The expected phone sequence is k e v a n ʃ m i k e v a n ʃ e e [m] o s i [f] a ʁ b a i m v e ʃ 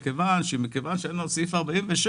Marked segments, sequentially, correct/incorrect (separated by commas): incorrect, correct